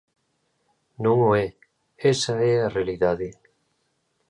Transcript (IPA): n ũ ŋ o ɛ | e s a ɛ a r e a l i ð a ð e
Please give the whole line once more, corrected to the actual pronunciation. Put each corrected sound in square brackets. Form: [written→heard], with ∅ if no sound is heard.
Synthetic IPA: n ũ ŋ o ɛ | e s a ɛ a r e a l i ð a ð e